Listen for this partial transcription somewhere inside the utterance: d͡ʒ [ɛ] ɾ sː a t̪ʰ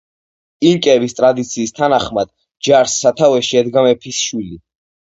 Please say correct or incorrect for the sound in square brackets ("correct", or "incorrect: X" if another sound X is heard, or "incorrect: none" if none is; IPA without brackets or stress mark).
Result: incorrect: a